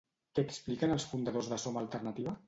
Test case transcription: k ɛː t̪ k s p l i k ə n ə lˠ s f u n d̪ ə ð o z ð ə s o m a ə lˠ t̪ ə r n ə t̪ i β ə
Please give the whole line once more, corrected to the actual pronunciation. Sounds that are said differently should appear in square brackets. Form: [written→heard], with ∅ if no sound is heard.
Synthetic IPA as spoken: k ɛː [t̪→∅] k s p l i k ə n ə lˠ s f u n d̪ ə ð o z ð ə s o m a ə lˠ t̪ ə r n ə t̪ i β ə

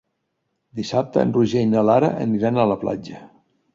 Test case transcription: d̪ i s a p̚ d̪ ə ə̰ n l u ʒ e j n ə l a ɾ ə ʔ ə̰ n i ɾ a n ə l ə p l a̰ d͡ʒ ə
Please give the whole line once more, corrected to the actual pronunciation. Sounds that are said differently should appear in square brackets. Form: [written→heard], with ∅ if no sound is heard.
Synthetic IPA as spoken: d̪ i s a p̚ [d̪→t̪] ə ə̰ n [l→r] u ʒ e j n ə l a ɾ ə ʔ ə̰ n i ɾ a n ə l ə p l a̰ d͡ʒ ə

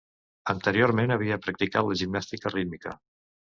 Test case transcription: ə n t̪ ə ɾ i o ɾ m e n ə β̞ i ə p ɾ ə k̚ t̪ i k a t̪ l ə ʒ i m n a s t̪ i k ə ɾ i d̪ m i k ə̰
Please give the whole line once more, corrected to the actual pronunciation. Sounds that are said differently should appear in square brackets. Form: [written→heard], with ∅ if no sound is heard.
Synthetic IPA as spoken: ə n t̪ ə ɾ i o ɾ m e n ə β̞ i ə p ɾ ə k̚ t̪ i k a t̪ l ə ʒ i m n a s t̪ i k ə [ɾ→r] i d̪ m i k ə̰

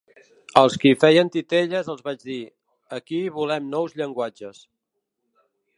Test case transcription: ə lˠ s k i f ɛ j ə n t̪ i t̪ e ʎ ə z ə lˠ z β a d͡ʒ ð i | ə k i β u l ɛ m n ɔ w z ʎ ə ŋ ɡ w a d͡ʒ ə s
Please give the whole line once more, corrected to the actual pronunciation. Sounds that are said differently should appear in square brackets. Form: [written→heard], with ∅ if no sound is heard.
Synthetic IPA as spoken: ə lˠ s k i f ɛ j ə n t̪ i t̪ e ʎ ə z ə lˠ z β a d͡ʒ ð i | ə k i β u l ɛ m n ɔ w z ʎ ə ŋ ɡ w a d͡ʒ ə s

